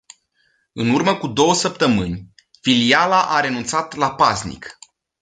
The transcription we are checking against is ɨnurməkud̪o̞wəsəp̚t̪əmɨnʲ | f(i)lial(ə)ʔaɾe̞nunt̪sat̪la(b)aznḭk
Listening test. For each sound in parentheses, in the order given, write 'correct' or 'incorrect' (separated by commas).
correct, incorrect, incorrect